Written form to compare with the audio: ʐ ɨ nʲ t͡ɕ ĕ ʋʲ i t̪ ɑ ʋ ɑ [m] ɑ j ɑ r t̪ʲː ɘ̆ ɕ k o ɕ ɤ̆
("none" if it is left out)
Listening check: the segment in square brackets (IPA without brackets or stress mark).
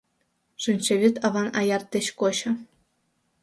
n